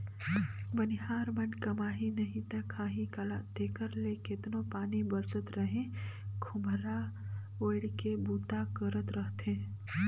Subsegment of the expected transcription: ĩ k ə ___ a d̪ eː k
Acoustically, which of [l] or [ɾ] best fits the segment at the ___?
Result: l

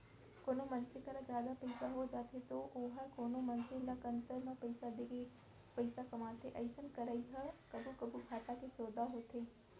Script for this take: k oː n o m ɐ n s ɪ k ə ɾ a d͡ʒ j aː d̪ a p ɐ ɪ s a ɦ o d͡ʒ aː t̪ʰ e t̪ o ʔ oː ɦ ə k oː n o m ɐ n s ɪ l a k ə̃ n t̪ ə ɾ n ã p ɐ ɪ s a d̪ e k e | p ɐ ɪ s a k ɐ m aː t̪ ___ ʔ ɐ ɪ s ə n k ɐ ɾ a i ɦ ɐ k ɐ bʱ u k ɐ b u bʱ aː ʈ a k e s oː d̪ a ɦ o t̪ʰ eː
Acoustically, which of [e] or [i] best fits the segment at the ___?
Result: e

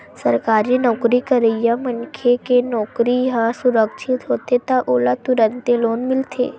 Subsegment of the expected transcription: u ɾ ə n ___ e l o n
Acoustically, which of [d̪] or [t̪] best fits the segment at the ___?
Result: t̪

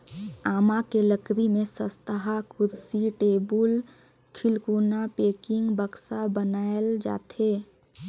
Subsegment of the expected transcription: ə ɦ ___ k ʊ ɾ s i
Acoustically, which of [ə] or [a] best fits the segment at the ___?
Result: a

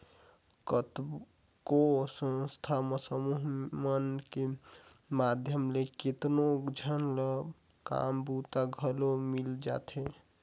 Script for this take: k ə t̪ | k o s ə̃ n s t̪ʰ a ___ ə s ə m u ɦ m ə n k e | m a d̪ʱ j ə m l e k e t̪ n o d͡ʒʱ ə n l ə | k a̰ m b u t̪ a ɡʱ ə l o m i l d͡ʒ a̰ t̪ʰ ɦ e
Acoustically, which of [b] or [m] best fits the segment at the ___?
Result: m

